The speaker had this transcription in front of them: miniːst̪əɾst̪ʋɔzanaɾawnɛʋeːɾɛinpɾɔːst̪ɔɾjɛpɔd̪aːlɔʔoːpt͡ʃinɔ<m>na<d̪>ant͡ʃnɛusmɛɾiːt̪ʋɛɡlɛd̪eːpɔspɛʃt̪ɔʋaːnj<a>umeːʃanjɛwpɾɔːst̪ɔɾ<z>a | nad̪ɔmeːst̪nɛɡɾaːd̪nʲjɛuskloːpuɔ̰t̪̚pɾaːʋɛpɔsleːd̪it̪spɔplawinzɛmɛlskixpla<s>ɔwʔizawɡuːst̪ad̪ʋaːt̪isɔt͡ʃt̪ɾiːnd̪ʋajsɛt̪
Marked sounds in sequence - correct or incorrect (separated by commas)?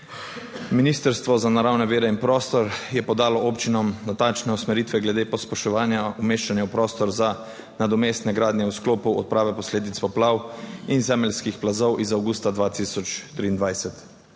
correct, incorrect, correct, correct, incorrect